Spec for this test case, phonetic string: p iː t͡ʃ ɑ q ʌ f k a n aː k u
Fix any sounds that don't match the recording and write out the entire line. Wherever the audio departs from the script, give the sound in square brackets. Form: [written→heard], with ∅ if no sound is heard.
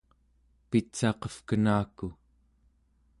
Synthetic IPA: p [iː→i] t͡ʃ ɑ q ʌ f k [a→ə] n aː k u